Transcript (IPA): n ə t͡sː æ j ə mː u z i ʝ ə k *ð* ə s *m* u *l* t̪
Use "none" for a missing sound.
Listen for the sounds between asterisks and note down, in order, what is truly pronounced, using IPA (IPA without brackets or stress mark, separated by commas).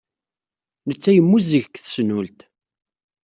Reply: θ, n, l